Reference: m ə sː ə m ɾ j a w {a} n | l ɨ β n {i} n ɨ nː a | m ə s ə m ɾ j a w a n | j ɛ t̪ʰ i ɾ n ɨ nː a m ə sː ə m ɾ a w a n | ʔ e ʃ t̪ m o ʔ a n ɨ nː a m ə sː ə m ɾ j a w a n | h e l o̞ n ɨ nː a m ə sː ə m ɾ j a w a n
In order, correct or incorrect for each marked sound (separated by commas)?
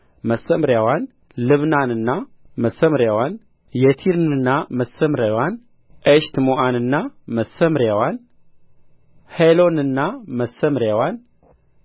correct, incorrect